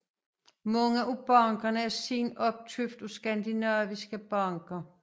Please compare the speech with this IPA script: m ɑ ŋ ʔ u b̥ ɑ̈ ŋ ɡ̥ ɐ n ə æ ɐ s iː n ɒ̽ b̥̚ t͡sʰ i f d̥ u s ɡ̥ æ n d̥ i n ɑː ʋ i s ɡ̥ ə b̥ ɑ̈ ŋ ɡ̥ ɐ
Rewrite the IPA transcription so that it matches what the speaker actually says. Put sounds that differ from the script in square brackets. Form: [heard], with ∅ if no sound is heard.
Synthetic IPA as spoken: m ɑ ŋ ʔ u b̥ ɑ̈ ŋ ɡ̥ ɐ n ə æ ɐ s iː n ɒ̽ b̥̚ t͡sʰ [y] f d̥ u s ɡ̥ æ n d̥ i n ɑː ʋ i s ɡ̥ ə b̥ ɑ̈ ŋ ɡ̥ ɐ